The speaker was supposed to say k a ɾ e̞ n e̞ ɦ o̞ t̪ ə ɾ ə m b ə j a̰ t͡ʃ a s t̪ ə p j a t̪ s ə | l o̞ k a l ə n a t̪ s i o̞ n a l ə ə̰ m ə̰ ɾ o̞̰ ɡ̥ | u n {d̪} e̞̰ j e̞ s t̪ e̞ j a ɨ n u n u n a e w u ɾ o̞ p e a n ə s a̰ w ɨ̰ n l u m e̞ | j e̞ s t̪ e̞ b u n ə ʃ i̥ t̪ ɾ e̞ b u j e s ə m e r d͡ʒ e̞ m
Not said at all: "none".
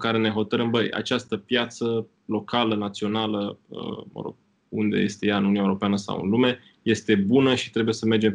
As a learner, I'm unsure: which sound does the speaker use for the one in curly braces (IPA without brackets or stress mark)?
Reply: d̪